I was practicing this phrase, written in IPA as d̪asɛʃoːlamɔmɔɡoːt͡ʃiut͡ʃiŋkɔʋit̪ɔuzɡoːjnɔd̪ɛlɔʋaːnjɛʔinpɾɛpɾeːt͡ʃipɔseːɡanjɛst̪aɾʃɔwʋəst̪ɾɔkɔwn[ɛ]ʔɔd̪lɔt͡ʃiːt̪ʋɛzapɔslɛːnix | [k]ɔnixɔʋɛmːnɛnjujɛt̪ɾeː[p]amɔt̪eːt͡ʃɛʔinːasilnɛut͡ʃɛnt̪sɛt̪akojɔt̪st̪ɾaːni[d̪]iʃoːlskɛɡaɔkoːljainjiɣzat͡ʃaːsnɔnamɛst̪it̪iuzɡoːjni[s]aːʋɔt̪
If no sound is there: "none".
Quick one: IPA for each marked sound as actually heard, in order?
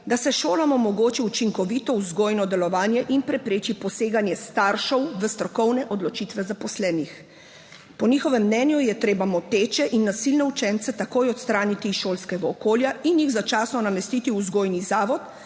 ɛ, p, b, t̪, z

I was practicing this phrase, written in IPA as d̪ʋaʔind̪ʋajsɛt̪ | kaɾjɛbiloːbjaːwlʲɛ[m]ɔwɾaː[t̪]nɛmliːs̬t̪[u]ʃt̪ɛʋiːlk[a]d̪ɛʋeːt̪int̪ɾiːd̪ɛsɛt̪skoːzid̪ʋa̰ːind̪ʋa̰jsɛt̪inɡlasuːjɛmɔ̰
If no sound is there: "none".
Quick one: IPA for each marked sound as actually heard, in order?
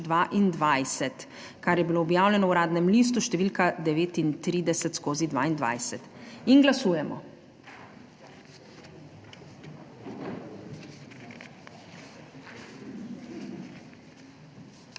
n, d̪, u, a

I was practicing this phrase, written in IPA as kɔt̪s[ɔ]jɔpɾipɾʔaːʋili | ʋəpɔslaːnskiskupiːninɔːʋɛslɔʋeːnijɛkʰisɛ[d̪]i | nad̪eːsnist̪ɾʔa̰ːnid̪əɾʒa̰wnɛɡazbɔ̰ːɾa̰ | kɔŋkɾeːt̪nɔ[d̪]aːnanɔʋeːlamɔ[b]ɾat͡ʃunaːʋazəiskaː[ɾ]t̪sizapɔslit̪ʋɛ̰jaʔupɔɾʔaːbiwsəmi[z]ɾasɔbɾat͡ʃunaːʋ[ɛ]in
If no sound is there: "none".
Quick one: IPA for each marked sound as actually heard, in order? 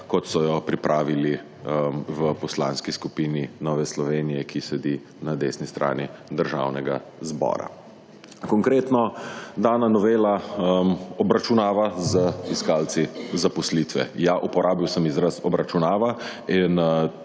ɔ, d̪, d̪, b, l, z, a

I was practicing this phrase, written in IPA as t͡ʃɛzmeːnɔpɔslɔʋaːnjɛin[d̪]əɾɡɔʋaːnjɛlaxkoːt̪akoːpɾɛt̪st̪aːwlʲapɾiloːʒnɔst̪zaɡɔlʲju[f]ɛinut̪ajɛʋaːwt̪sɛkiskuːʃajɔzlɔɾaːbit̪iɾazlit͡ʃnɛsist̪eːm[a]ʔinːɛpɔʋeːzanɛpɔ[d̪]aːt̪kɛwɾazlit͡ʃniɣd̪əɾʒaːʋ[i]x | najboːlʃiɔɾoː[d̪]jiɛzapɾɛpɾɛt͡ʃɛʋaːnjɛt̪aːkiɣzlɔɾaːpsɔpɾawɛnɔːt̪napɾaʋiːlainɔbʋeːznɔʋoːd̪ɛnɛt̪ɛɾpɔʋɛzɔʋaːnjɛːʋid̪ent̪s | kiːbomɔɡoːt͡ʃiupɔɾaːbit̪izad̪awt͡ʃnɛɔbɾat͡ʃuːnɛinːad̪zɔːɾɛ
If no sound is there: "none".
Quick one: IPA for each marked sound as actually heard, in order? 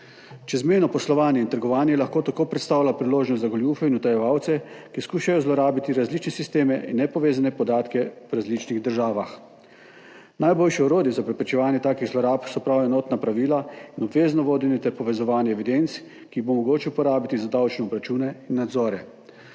t̪, f, ɛ, d̪, a, d̪

